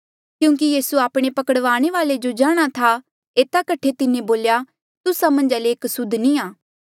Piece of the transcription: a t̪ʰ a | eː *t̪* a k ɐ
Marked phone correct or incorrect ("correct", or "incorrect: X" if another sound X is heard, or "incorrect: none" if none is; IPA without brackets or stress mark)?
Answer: correct